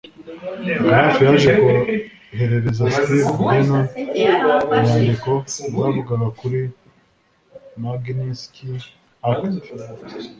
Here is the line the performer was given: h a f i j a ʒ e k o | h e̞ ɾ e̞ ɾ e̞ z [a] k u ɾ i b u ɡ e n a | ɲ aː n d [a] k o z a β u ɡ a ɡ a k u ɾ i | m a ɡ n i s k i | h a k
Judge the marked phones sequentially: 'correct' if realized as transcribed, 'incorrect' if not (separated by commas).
correct, incorrect